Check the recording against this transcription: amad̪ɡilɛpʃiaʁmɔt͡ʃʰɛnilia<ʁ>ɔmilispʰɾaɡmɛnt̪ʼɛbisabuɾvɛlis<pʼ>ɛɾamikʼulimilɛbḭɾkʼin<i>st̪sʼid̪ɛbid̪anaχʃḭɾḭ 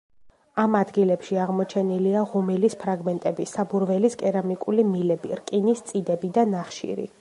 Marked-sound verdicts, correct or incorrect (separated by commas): correct, incorrect, correct